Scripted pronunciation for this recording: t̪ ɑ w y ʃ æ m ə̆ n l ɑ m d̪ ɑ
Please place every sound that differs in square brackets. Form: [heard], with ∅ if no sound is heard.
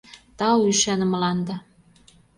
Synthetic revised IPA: t̪ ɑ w y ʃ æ [n] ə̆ [m] l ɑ [n] d̪ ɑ